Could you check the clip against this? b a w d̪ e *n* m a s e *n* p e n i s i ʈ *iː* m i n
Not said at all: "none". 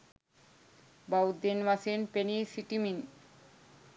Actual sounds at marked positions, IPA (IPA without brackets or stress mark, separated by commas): n, n, i